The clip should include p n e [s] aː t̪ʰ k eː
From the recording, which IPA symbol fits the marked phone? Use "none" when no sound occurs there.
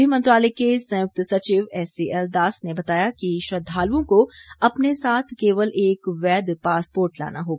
s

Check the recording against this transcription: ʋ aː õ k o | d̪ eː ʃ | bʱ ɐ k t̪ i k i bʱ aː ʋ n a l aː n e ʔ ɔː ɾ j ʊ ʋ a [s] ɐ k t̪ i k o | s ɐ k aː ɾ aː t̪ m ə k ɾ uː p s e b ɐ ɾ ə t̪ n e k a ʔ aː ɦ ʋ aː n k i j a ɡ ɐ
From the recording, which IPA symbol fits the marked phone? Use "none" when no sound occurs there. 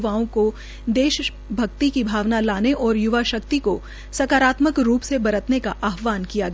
ʃ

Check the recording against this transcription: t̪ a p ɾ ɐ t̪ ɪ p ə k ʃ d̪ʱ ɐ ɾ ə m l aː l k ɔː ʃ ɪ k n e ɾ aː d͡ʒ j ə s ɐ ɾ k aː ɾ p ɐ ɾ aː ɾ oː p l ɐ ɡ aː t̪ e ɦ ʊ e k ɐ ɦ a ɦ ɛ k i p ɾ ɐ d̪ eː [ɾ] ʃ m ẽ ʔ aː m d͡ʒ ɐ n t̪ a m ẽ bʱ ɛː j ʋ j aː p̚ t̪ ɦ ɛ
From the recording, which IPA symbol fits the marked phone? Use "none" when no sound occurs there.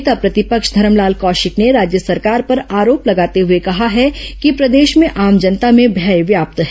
none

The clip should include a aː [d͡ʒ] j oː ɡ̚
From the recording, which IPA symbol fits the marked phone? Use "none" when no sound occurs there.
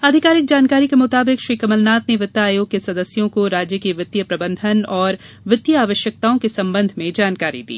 none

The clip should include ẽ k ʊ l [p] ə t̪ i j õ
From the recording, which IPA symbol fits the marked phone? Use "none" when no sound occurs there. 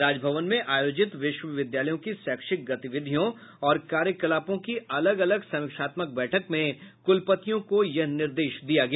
p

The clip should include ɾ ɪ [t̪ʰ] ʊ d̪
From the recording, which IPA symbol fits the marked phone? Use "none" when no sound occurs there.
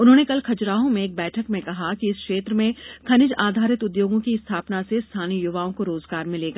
t̪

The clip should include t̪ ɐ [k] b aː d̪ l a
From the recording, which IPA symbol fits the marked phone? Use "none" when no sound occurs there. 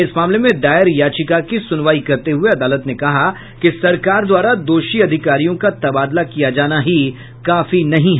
none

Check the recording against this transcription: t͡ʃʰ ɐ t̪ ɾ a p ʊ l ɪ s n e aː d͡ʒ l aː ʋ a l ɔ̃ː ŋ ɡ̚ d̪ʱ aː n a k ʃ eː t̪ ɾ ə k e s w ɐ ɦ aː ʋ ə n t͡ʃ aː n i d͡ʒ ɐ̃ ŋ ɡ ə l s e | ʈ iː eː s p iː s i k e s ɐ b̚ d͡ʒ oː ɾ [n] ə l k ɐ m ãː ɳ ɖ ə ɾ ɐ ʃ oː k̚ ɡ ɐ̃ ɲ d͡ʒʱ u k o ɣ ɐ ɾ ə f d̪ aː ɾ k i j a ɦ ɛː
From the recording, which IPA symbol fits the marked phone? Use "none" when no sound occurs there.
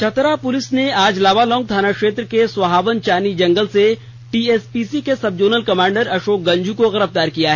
n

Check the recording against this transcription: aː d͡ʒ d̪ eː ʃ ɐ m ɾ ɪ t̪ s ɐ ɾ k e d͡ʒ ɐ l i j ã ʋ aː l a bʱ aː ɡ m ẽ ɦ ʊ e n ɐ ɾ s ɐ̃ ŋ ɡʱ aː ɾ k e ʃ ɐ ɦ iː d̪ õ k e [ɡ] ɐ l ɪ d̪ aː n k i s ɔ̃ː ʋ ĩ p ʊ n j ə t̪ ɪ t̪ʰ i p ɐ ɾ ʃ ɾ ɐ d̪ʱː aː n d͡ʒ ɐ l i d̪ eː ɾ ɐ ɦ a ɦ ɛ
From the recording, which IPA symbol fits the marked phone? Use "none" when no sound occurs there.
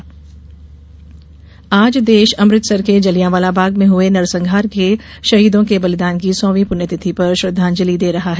b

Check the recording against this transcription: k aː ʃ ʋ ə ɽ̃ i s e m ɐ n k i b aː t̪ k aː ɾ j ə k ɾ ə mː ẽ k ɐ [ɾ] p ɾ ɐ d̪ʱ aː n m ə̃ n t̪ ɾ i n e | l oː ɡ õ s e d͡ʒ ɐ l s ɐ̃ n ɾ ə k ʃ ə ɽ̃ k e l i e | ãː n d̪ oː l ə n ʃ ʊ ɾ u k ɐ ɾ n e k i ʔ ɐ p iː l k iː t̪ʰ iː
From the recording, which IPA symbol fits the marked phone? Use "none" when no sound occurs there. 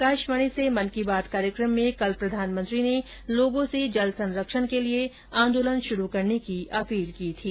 l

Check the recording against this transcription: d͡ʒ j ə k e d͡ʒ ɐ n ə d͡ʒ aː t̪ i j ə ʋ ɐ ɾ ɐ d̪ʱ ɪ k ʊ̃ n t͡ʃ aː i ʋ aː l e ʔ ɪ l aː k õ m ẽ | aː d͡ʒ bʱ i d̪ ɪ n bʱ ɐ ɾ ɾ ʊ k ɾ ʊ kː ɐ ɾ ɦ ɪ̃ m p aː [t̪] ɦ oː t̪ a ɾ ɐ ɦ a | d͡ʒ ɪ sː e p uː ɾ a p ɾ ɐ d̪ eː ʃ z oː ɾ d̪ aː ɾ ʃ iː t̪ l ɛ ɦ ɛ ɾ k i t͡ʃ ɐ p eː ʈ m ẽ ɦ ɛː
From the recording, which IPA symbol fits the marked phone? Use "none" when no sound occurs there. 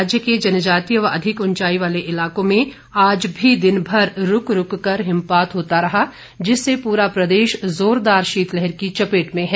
t̪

